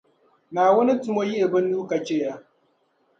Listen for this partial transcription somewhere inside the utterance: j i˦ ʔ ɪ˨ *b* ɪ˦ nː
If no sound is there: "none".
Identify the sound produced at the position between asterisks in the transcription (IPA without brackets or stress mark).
b